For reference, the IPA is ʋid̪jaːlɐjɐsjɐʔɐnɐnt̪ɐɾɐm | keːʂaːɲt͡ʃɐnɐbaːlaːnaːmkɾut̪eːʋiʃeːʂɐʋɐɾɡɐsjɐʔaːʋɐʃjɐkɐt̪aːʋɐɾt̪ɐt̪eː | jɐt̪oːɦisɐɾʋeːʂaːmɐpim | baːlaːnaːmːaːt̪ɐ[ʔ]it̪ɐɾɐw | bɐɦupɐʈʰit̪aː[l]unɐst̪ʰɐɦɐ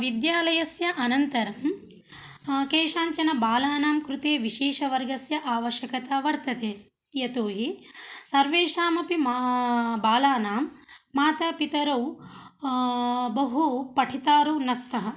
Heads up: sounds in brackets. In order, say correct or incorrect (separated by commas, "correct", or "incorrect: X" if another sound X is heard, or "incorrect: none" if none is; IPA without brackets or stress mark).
incorrect: p, incorrect: ɾ